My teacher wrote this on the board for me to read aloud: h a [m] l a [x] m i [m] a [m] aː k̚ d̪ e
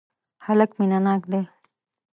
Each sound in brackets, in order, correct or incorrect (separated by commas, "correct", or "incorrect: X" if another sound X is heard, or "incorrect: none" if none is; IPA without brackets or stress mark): incorrect: none, incorrect: k, incorrect: n, incorrect: n